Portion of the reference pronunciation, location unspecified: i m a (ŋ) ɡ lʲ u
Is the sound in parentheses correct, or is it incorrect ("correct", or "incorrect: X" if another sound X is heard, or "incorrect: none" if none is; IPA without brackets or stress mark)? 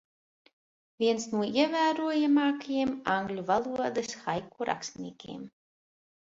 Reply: correct